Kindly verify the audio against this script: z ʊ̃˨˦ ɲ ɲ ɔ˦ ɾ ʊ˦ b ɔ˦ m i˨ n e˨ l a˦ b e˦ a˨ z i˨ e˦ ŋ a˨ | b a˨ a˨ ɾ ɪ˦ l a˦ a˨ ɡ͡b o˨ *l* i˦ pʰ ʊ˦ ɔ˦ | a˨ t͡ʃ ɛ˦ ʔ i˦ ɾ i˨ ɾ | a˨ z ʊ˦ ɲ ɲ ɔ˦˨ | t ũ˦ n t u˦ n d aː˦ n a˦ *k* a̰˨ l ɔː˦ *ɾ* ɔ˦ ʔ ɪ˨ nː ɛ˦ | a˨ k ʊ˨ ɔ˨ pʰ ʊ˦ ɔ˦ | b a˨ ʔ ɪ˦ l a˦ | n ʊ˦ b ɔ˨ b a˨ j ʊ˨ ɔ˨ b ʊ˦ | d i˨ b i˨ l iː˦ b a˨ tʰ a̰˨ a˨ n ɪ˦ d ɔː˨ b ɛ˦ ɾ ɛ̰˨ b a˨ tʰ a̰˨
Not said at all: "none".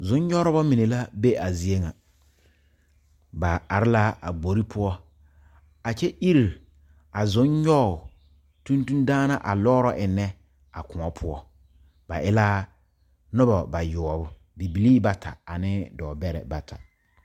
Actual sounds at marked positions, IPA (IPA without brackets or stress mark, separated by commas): ɾ, ʔ, ɾ